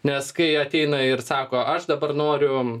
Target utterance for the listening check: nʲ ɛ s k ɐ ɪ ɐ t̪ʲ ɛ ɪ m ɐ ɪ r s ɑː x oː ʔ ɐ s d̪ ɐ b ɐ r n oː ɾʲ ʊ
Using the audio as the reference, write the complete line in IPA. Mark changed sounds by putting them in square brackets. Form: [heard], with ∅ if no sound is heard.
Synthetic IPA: nʲ ɛ s k ɐ ɪ ɐ t̪ʲ ɛ ɪ [n] ɐ ɪ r s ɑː [k] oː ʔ ɐ [ʃ] d̪ ɐ b ɐ r n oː ɾʲ ʊ